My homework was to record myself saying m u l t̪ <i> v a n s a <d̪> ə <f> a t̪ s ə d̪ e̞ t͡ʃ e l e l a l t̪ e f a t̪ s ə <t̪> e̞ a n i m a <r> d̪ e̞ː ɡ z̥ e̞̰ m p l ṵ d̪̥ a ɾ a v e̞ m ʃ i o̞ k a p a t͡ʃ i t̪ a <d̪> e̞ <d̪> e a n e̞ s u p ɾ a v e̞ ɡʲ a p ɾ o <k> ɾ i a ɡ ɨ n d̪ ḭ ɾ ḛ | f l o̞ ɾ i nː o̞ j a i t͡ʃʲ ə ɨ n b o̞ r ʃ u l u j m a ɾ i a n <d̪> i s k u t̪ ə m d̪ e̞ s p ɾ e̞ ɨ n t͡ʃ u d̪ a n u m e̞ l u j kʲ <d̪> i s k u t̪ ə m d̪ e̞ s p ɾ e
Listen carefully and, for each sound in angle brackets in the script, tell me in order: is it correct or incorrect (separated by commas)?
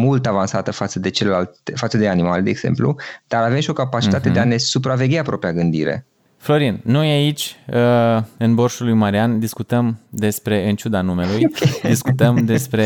incorrect, incorrect, correct, incorrect, incorrect, incorrect, correct, incorrect, correct, correct